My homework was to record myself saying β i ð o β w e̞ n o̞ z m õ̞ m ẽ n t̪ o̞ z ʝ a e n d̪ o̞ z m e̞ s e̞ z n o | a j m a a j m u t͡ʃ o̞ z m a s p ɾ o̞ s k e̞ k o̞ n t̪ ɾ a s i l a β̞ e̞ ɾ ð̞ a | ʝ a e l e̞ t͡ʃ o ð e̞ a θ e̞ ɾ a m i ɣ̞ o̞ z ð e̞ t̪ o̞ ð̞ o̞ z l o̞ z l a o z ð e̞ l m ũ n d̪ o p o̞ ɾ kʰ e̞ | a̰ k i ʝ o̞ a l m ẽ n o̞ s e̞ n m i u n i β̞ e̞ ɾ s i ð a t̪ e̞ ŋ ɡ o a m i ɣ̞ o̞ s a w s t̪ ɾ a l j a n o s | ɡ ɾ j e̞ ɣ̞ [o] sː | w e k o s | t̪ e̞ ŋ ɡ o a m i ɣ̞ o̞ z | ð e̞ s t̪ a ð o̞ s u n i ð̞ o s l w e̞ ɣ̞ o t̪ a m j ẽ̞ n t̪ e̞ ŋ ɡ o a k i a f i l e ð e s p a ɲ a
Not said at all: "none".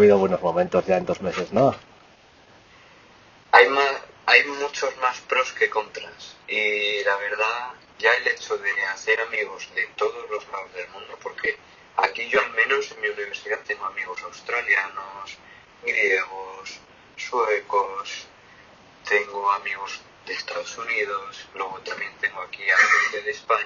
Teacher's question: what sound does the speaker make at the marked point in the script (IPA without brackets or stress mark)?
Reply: o